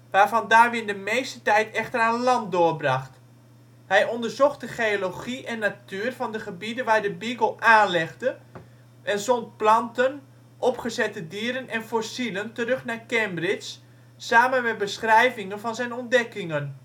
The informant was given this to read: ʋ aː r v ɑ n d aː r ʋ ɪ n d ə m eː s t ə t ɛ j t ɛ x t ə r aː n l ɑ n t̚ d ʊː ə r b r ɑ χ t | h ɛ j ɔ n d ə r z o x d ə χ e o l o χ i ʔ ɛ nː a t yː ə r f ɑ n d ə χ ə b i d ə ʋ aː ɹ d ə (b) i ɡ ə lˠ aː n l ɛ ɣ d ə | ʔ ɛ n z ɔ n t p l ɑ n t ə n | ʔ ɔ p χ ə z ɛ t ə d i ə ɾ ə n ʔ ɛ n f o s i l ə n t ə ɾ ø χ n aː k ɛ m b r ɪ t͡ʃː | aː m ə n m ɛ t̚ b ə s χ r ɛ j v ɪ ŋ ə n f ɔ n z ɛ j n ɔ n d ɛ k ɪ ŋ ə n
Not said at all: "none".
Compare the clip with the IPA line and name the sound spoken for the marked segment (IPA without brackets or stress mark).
b